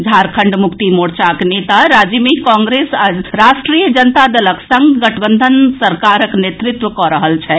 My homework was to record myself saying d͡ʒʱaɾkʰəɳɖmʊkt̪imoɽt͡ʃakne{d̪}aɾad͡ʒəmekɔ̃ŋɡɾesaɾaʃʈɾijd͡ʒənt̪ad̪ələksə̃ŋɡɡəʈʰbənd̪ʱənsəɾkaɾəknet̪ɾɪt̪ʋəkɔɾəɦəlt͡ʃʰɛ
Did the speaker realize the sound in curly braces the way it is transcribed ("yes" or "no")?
no